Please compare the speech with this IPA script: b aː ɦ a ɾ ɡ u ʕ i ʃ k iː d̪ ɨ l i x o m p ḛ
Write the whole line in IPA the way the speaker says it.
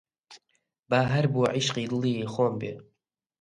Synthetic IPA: b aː ɦ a ɾ b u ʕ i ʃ q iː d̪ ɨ l i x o m b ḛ

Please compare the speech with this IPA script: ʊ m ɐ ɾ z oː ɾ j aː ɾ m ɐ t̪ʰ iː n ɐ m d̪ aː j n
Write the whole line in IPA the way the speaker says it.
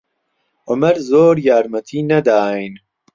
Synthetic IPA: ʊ m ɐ ɾ z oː ɾ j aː ɾ m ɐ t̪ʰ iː n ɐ d̪ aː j n

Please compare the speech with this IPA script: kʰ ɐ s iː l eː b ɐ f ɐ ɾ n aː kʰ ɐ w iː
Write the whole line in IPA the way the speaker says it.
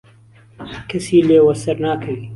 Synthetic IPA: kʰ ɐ s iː l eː w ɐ s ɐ ɾ n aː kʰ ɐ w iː

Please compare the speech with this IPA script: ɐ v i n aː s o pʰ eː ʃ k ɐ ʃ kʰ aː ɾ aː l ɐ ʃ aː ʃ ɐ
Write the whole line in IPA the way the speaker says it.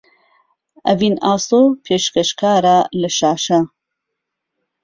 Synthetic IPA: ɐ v i n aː s o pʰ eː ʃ k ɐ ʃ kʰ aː ɾ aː l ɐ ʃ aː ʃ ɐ

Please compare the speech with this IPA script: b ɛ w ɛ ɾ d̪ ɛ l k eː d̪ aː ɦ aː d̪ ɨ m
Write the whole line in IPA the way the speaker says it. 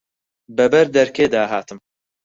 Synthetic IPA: b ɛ b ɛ ɾ d̪ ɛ ɾ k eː d̪ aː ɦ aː t̪ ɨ m

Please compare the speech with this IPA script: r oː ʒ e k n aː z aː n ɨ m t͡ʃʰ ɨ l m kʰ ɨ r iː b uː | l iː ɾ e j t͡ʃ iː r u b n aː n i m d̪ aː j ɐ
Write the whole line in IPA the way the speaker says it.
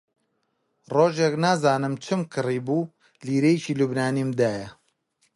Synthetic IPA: r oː ʒ e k n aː z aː n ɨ m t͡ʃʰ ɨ m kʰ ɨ r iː b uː | l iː ɾ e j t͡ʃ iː l u b n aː n i m d̪ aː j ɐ

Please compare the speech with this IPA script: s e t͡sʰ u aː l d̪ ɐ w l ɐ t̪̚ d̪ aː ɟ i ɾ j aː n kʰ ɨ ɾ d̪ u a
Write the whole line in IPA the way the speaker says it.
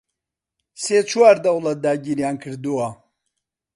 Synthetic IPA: s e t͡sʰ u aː ɾ d̪ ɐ w l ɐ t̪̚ d̪ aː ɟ i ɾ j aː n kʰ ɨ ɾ d̪ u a

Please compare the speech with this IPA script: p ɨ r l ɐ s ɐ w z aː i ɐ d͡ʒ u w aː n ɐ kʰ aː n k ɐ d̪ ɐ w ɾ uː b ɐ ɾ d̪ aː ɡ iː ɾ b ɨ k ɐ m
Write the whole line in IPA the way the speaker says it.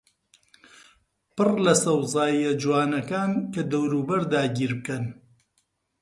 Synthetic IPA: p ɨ r l ɐ s ɐ w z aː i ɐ d͡ʒ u w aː n ɐ k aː n k ɐ d̪ ɐ w ɾ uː b ɐ ɾ d̪ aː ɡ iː ɾ b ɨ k ɐ n

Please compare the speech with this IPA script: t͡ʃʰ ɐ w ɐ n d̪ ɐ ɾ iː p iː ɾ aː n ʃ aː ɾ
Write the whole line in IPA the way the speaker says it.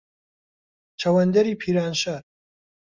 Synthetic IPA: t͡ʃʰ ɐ w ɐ n d̪ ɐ ɾ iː pʰ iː ɾ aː n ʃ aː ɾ

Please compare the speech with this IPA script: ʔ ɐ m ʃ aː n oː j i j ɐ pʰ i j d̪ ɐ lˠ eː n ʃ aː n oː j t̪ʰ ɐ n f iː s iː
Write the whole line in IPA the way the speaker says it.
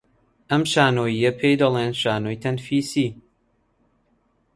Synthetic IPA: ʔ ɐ m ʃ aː n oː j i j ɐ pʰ e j d̪ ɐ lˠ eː n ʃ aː n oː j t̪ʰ ɐ n f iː s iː

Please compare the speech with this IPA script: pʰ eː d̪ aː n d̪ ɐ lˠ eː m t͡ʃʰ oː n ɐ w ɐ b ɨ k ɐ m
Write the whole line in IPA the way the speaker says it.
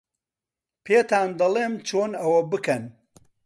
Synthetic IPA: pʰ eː t̪ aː n d̪ ɐ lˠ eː m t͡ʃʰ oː n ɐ w ɐ b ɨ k ɐ n

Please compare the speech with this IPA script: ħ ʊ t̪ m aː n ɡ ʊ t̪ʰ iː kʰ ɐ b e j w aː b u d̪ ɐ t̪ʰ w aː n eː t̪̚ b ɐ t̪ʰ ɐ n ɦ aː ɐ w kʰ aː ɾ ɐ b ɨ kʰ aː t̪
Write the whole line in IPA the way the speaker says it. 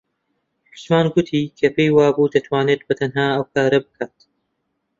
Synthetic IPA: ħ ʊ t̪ m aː n ɡ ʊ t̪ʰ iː kʰ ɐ p e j w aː b u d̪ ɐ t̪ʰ w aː n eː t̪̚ b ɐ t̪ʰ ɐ n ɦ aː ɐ w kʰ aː ɾ ɐ b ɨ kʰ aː t̪

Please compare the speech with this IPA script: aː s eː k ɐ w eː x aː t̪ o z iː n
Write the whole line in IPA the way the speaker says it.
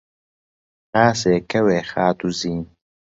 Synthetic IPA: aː s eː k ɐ w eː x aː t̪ u z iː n

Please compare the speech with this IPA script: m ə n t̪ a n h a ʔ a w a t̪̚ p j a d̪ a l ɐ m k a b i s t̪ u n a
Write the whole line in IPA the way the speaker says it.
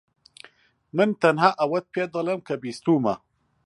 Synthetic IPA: m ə n t̪ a n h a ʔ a w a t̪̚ p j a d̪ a l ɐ m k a b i s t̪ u m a

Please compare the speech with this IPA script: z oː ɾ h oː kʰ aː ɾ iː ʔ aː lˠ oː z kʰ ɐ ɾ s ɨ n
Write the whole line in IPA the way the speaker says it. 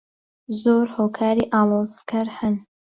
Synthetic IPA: z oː ɾ h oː kʰ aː ɾ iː ʔ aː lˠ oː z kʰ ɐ ɾ h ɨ n

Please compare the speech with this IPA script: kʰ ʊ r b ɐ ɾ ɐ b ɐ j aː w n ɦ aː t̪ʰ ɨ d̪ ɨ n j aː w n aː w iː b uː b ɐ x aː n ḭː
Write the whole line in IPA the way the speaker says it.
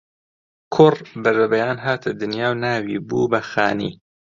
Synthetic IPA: kʰ ʊ r b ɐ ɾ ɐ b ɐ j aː n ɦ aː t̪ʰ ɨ d̪ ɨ n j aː w n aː w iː b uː b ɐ x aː n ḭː

